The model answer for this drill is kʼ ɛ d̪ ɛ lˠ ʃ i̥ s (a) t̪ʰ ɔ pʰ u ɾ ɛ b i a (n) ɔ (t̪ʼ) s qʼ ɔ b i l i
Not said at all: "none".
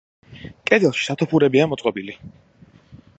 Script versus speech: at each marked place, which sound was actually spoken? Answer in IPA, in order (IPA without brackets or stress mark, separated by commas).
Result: a, m, t̪